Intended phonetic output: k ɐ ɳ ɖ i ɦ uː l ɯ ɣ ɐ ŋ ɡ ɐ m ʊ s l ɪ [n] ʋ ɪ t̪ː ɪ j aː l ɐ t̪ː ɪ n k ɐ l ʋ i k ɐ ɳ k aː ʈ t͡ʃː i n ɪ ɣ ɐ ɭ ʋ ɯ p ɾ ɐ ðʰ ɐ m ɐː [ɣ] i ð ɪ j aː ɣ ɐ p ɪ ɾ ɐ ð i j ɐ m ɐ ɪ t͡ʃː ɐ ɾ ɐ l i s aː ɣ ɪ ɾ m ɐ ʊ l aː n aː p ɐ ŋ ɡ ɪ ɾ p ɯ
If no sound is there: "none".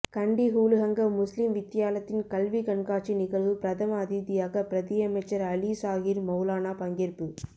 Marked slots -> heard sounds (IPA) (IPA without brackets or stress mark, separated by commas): m, ð